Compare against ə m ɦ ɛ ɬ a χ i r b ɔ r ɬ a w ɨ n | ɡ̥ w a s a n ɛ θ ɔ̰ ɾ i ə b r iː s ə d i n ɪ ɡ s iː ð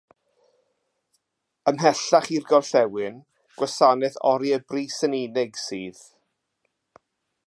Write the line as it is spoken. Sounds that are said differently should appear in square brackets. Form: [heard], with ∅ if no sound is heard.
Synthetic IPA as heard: ə m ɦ ɛ ɬ a χ i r [ɡ] ɔ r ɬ [ɛ] w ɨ n | ɡ̥ w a s a n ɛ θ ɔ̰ ɾ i ə b r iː s ə [n] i n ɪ ɡ s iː ð